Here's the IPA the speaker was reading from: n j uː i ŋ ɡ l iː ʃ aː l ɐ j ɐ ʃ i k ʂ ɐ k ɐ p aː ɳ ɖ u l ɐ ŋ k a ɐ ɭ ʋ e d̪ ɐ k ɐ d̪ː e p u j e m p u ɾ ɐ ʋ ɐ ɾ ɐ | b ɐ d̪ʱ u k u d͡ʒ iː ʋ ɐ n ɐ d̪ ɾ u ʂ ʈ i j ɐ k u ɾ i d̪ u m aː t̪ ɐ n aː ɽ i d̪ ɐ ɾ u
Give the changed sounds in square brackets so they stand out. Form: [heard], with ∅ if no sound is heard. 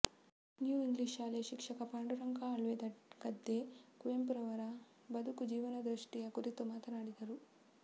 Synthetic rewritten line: n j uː i ŋ ɡ l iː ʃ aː l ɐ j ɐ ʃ i k ʂ ɐ k ɐ p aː ɳ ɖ u [ɾ] ɐ ŋ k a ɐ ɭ ʋ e d̪ ɐ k ɐ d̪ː e [k] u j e m p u ɾ ɐ ʋ ɐ ɾ ɐ | b ɐ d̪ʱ u k u d͡ʒ iː ʋ ɐ n ɐ d̪ ɾ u ʂ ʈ i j ɐ k u ɾ i [t̪] u m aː t̪ ɐ n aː ɽ i d̪ ɐ ɾ u